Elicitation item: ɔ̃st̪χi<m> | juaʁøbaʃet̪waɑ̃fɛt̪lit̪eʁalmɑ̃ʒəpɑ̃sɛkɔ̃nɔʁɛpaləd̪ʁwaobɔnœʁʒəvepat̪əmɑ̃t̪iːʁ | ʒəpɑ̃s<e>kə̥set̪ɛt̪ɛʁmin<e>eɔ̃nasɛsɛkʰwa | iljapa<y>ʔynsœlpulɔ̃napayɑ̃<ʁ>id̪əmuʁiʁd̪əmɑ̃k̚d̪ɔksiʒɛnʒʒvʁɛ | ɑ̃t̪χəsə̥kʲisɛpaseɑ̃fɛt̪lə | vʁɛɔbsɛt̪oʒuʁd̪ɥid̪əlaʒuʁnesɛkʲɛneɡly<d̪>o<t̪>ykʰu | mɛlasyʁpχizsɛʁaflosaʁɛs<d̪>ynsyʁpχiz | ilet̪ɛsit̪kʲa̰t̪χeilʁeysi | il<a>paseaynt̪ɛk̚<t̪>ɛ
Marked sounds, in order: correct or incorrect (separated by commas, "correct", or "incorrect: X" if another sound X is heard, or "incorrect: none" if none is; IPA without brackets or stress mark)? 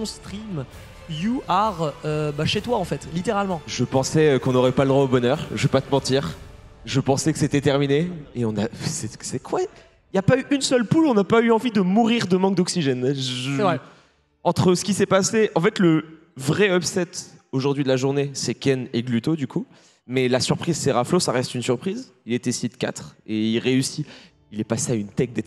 correct, incorrect: ɛ, correct, correct, incorrect: v, incorrect: t̪, incorrect: d̪, incorrect: t̪, incorrect: ɛ, incorrect: d̪